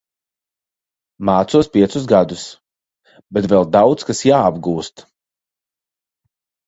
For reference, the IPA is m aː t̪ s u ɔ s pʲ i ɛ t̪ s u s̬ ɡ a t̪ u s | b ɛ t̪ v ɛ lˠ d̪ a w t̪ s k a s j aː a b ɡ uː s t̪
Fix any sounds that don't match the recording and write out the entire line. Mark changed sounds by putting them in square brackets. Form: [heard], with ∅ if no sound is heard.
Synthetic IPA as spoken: m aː t̪ s u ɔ s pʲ i ɛ t̪ s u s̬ ɡ a [d̪] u s | b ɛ t̪ v ɛ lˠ d̪ a w t̪ s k a s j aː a b ɡ uː s t̪